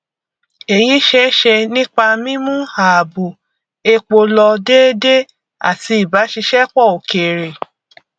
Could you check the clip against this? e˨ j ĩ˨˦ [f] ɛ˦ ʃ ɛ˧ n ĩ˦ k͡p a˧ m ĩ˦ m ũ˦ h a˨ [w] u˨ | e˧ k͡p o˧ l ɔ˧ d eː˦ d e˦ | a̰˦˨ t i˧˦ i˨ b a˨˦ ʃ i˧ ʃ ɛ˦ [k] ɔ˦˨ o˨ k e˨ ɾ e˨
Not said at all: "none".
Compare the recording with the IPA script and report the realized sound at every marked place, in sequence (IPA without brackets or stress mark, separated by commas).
ʃ, b, k͡p